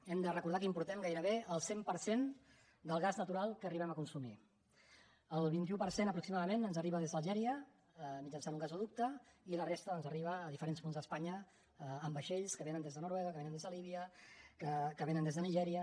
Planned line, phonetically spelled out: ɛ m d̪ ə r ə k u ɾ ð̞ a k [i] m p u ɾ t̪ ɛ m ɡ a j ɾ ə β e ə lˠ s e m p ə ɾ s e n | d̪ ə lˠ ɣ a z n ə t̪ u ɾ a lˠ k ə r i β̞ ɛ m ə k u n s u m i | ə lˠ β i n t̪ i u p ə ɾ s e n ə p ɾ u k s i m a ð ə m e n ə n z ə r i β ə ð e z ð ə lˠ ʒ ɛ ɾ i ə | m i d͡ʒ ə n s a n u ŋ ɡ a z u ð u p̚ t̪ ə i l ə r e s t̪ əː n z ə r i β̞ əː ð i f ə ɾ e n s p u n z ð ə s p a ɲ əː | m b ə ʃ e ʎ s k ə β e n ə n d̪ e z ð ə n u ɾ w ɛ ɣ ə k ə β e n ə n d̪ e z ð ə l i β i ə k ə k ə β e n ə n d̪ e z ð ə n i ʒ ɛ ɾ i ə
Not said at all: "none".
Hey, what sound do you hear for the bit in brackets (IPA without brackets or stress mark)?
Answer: i